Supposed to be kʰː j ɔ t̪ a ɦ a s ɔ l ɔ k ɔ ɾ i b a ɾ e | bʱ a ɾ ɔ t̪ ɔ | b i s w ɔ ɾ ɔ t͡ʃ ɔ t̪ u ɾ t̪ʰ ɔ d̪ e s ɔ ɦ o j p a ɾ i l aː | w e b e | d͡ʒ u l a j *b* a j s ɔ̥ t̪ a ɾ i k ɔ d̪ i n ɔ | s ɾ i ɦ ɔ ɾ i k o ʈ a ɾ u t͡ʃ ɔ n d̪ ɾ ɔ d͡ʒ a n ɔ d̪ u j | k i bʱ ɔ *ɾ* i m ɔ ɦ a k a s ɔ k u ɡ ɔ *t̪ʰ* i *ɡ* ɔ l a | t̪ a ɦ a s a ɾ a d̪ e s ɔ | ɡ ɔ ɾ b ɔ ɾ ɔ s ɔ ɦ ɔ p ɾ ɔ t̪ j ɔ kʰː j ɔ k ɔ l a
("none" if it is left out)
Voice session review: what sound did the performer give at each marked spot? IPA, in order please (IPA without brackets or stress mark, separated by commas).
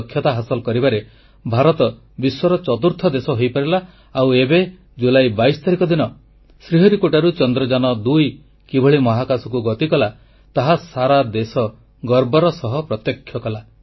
b, ɭ, t̪, k